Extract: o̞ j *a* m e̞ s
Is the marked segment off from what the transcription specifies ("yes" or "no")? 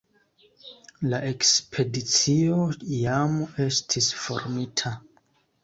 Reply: no